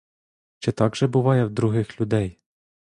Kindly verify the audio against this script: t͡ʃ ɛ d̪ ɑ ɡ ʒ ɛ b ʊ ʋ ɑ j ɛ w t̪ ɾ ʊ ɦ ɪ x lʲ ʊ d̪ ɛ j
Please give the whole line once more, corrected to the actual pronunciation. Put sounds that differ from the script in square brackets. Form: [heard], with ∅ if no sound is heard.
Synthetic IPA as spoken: t͡ʃ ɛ [t̪] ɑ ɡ ʒ ɛ b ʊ ʋ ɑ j ɛ w [d̪] ɾ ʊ ɦ ɪ x lʲ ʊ d̪ ɛ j